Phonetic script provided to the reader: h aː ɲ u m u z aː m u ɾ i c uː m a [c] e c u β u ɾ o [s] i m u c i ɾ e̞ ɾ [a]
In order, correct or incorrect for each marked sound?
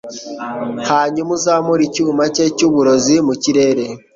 correct, incorrect, incorrect

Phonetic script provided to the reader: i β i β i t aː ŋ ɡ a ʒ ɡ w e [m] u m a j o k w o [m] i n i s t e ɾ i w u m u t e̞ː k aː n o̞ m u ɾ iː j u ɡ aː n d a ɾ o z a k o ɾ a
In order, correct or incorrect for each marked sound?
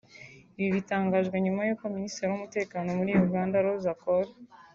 incorrect, correct

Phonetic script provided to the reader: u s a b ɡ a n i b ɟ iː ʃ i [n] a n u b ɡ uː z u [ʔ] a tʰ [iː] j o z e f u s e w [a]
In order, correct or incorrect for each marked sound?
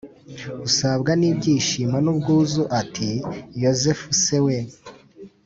incorrect, correct, incorrect, incorrect

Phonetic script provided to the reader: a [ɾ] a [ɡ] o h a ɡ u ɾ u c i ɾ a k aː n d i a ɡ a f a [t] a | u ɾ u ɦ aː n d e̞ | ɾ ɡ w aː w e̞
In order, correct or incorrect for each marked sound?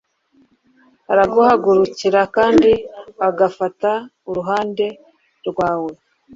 correct, correct, correct

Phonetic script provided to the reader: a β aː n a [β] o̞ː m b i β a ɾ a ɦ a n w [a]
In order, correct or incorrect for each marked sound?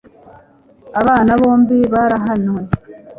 correct, incorrect

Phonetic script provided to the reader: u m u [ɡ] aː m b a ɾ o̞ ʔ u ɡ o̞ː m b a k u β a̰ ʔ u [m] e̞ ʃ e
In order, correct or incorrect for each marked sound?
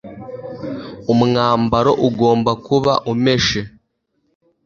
incorrect, correct

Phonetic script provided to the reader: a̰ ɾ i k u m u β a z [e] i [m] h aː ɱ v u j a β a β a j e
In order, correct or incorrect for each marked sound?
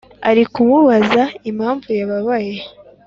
incorrect, correct

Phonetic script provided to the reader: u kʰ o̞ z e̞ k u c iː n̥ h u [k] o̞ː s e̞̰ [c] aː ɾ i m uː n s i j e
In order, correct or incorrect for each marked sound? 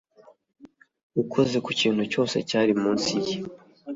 incorrect, correct

